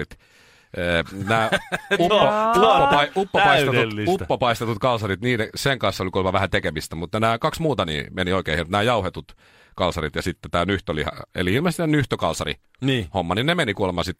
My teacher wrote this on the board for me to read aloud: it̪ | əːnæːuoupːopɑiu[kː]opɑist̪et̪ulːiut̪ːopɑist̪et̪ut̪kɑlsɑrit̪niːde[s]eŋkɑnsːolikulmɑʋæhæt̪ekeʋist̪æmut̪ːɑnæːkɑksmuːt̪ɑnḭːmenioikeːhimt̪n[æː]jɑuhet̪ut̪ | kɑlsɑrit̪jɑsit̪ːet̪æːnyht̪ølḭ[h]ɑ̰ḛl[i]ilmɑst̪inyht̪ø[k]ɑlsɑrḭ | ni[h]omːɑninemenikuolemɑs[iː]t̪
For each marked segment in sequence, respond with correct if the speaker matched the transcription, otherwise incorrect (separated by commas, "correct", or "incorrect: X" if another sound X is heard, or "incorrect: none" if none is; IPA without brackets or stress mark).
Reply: incorrect: pː, correct, correct, correct, correct, correct, correct, incorrect: i